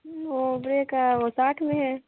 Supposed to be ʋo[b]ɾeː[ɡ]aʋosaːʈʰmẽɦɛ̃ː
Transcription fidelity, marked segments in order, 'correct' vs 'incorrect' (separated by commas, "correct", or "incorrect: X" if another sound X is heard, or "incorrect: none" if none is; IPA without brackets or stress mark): correct, incorrect: k